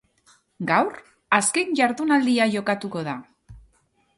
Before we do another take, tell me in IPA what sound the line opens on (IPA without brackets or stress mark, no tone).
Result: ɡ